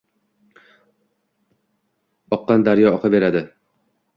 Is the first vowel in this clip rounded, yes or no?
yes